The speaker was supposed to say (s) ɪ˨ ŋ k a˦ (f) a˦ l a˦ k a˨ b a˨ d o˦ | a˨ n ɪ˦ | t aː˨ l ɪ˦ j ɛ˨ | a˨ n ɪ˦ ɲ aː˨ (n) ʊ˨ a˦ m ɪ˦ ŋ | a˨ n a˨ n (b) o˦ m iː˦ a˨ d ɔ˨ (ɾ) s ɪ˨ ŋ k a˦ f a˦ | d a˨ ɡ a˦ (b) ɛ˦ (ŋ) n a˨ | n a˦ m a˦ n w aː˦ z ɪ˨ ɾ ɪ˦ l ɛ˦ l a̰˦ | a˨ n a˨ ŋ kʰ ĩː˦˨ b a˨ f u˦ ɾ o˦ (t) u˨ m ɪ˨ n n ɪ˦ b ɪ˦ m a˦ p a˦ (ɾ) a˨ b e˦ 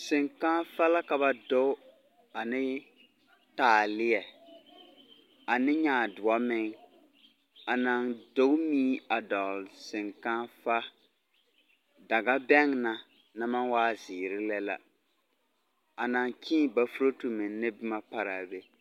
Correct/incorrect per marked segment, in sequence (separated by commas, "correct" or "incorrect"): correct, correct, incorrect, incorrect, incorrect, correct, correct, correct, correct